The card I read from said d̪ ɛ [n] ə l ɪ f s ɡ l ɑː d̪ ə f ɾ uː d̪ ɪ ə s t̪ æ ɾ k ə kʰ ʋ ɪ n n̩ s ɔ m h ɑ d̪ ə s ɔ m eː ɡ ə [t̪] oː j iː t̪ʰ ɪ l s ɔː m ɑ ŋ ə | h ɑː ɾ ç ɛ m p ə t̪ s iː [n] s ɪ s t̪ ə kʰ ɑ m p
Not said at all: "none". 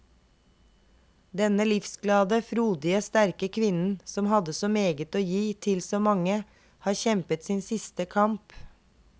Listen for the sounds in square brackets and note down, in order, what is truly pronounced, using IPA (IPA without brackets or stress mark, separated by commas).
n, t̪, n